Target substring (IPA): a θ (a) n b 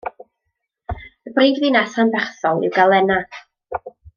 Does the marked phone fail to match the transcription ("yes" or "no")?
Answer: no